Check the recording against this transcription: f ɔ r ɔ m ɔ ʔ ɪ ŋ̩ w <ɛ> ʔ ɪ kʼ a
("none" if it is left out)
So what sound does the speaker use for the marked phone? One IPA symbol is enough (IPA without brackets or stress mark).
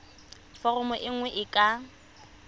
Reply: ɛ